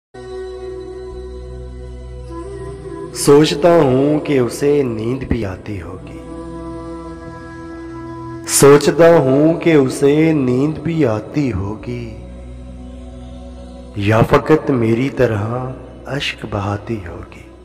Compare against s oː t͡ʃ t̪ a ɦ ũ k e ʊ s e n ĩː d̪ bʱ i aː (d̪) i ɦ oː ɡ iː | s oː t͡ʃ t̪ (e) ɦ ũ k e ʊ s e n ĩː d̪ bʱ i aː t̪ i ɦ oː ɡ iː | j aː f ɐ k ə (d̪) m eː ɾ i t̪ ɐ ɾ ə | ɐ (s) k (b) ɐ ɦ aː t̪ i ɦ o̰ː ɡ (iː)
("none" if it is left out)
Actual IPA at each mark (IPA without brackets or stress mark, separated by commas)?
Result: t̪, a, t̪, ʃ, b, iː